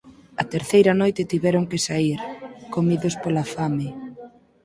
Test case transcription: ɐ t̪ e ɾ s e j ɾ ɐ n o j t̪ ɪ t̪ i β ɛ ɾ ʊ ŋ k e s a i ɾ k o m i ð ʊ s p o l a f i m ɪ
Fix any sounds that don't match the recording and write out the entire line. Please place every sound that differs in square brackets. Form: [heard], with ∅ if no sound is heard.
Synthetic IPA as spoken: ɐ t̪ e ɾ [θ] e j ɾ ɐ n o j t̪ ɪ t̪ i β ɛ ɾ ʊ ŋ k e s a i ɾ k o m i ð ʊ s p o l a f [a] m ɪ